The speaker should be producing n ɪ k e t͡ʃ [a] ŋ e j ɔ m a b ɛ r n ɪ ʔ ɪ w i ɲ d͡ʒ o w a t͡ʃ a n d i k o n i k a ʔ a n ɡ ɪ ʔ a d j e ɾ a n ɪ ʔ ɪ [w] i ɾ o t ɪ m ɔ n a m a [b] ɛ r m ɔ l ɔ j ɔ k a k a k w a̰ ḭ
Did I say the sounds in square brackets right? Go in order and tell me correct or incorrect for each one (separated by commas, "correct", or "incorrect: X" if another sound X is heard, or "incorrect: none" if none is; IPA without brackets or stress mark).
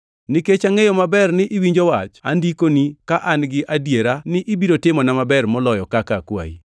correct, incorrect: b, correct